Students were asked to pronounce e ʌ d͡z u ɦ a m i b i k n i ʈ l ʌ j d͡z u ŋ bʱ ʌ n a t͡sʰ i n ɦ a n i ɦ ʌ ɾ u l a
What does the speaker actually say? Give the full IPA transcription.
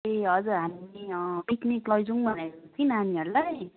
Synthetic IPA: e ʌ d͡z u ɦ a m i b i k n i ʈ l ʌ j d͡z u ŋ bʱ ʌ n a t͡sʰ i n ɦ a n i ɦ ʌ ɾ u l a